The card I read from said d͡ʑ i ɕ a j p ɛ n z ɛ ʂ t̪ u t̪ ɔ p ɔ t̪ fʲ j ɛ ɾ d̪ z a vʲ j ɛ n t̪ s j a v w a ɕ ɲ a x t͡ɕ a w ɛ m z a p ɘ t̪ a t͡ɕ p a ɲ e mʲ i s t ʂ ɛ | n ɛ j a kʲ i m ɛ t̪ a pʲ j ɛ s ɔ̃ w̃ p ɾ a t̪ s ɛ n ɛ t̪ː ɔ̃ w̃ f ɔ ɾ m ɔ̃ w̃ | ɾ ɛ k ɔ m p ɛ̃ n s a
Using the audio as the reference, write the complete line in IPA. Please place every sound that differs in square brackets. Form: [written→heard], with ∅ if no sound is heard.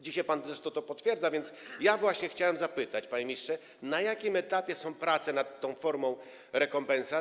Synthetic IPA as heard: d͡ʑ i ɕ a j p [ɛ→a] n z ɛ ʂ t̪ [u→ɔ] t̪ ɔ p ɔ t̪ fʲ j ɛ ɾ d̪ z a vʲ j ɛ n t̪ s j a v w a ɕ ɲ [a→ɛ] x t͡ɕ a w ɛ m z a p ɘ t̪ a t͡ɕ p a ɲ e mʲ i s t ʂ ɛ | n [ɛ→a] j a kʲ i m ɛ t̪ a pʲ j ɛ s ɔ̃ w̃ p ɾ a t̪ s ɛ n [ɛ→a] t̪ː ɔ̃ w̃ f ɔ ɾ m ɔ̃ w̃ | ɾ ɛ k ɔ m p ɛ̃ n s a